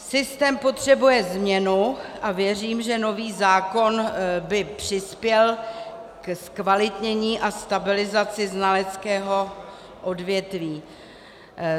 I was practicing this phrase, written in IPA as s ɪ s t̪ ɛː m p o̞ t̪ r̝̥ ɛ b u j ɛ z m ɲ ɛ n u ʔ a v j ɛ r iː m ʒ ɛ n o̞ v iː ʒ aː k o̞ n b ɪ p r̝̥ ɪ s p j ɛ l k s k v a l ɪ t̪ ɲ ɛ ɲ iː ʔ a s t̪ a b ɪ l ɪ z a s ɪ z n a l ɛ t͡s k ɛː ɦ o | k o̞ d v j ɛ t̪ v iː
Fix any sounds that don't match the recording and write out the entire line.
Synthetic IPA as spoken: s ɪ s t̪ ɛː m p o̞ t̪ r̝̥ ɛ b u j ɛ z m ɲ ɛ n u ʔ a v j ɛ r iː m ʒ ɛ n o̞ v iː z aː k o̞ n b ɪ p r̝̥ ɪ s p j ɛ l k s k v a l ɪ t̪ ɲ ɛ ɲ iː ʔ a s t̪ a b ɪ l ɪ z a t͡s ɪ z n a l ɛ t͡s k ɛː ɦ o | ʔ o̞ d v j ɛ t̪ v iː